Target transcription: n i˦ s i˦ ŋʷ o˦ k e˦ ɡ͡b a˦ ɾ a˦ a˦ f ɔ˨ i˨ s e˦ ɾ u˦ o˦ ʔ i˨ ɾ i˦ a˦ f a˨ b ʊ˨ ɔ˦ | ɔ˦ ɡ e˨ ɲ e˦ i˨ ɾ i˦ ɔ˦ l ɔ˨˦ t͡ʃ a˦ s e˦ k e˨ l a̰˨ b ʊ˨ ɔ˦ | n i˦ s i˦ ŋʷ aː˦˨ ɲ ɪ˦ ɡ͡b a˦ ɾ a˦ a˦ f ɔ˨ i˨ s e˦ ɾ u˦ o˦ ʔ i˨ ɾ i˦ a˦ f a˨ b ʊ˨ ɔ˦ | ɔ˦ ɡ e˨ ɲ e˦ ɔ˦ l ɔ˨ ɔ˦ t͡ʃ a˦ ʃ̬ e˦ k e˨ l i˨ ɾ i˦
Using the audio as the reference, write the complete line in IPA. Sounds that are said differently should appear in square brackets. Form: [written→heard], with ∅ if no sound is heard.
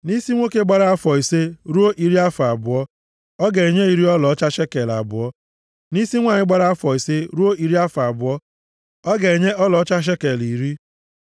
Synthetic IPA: n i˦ s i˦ ŋʷ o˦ k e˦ ɡ͡b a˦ ɾ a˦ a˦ f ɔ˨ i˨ s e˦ ɾ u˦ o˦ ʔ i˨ ɾ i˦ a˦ f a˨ b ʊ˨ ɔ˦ | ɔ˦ ɡ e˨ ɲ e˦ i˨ ɾ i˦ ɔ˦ l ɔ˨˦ t͡ʃ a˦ [s→ʃ] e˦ k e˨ l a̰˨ b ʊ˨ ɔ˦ | n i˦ s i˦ ŋʷ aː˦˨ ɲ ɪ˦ ɡ͡b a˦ ɾ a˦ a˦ f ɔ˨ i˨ s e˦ ɾ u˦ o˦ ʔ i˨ ɾ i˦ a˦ f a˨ b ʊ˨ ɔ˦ | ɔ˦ ɡ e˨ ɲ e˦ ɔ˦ l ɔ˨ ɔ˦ t͡ʃ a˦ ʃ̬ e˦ k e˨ l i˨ ɾ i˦